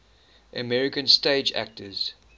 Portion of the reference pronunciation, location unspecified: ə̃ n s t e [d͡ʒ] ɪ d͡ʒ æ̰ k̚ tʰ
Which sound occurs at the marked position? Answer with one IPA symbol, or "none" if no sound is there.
none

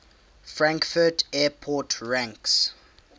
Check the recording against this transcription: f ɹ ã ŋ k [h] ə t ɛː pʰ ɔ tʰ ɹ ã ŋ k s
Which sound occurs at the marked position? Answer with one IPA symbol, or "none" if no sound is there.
f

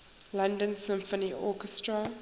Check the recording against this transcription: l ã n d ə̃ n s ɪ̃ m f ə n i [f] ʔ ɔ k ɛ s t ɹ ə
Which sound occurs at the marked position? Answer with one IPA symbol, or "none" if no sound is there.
none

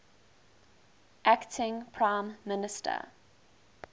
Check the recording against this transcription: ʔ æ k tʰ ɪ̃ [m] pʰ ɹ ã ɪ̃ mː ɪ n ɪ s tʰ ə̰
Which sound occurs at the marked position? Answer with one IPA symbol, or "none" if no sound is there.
ŋ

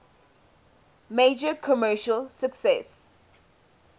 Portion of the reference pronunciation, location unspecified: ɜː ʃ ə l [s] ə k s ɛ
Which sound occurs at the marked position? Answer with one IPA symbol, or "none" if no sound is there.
s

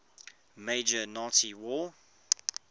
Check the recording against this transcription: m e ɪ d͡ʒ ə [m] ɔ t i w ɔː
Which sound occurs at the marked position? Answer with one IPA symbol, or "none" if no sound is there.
n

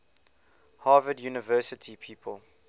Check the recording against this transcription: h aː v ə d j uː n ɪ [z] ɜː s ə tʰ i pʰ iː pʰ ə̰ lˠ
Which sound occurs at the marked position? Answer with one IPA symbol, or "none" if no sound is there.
v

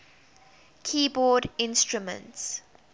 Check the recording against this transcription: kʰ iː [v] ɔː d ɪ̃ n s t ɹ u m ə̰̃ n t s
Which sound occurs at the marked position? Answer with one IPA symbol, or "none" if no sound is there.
b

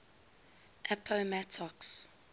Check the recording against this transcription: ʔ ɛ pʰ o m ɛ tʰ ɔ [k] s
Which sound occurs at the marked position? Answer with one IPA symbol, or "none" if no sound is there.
k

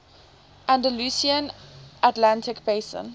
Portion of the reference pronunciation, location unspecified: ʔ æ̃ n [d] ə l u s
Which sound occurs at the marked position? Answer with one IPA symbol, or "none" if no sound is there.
d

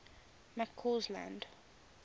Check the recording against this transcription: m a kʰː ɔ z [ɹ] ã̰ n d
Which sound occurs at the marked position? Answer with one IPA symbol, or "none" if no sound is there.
l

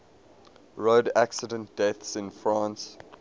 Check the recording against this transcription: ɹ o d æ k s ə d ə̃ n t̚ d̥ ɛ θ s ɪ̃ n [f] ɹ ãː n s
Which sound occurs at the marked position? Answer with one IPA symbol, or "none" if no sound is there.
f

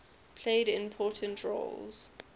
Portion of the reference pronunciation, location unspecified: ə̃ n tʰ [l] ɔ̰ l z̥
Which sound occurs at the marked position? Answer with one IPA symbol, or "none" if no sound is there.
ɹ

